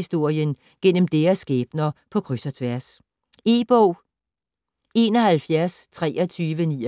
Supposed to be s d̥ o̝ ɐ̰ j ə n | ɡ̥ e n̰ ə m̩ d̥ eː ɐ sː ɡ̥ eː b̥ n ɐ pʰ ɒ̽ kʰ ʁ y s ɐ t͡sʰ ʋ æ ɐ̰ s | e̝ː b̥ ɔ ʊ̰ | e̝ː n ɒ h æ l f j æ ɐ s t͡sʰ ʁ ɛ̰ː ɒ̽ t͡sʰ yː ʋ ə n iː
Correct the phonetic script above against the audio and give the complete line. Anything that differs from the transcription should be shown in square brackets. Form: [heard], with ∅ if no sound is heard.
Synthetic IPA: s d̥ o̝ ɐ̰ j ə n | ɡ̥ e n̰ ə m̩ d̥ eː ɐ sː ɡ̥ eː b̥ n ɐ pʰ ɒ̽ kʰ ʁ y s ɐ t͡sʰ ʋ æ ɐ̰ s | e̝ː b̥ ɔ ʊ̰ | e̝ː n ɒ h æ l f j æ ɐ s t͡sʰ ʁ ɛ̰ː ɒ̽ t͡sʰ yː ʋ ə n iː